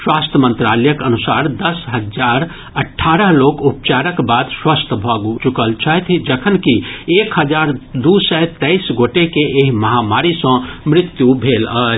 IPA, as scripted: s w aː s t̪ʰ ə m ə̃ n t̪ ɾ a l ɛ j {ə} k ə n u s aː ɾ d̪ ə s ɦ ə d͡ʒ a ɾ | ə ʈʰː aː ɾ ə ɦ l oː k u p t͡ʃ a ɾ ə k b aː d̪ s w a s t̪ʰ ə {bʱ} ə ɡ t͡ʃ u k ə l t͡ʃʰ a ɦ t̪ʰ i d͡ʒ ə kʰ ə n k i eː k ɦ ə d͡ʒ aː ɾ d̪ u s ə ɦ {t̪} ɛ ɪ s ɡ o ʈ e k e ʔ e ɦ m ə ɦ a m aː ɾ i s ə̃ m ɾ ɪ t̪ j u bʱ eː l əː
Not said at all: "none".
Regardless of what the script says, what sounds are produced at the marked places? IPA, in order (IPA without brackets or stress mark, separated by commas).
ə, bʱ, t̪